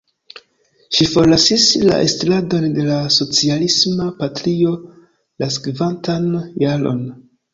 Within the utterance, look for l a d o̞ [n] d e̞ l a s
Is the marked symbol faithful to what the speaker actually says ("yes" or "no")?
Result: yes